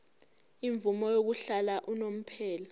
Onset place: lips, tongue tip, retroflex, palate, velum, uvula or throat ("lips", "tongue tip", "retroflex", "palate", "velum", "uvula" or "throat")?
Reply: lips